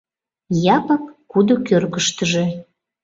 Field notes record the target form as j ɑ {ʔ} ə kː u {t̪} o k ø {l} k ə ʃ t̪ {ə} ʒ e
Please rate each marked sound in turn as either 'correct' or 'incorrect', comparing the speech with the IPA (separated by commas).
incorrect, incorrect, incorrect, correct